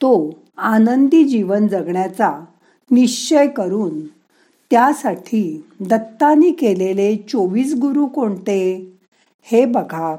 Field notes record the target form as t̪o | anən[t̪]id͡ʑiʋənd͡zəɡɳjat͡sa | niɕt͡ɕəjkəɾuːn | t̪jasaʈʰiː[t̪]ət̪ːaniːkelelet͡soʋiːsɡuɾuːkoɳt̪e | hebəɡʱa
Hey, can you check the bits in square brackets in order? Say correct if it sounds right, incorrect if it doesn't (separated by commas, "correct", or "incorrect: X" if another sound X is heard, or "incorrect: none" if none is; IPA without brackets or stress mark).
incorrect: d̪, incorrect: d̪